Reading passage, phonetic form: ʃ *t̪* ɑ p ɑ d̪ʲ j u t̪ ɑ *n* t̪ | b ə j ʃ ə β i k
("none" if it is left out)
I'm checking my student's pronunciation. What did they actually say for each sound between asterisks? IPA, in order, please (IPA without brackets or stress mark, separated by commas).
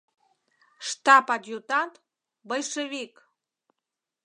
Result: t̪, n